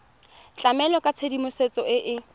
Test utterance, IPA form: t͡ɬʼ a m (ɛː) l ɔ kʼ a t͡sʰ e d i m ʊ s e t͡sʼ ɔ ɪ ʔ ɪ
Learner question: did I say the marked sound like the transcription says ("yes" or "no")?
no